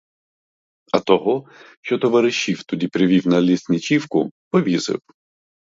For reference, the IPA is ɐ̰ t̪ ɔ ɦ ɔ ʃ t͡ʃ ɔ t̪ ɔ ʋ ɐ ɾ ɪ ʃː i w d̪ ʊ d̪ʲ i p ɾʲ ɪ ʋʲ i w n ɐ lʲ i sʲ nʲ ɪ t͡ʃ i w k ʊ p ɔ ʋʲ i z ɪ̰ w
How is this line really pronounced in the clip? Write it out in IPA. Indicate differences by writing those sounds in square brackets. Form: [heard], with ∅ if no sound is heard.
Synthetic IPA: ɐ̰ t̪ ɔ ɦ ɔ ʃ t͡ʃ ɔ t̪ ɔ ʋ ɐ ɾ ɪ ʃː i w [t̪] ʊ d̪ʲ i p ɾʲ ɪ ʋʲ i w n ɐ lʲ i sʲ nʲ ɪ t͡ʃ i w k ʊ p ɔ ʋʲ i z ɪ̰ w